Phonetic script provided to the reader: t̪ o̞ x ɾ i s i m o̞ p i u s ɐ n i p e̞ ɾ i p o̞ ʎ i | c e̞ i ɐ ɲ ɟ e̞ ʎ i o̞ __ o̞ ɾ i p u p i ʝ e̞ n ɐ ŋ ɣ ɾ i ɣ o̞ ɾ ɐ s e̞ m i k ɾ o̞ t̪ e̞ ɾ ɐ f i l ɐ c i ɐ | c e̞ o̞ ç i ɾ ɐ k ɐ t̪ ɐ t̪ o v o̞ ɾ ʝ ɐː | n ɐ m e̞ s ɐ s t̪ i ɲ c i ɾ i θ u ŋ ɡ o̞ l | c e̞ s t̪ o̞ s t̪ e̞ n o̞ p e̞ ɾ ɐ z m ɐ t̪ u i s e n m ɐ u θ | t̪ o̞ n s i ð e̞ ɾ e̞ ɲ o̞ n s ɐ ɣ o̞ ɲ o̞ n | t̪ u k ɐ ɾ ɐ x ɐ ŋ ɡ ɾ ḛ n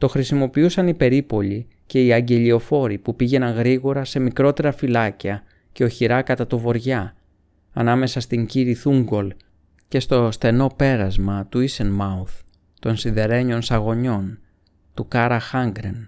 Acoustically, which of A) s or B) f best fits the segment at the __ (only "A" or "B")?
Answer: B